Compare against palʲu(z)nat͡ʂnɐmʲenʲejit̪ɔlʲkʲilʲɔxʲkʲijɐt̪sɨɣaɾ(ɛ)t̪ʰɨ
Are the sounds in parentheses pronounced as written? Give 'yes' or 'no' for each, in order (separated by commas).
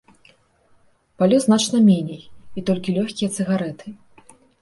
yes, yes